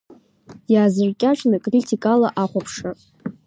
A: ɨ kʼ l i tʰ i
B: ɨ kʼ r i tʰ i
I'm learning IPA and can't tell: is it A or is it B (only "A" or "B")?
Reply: B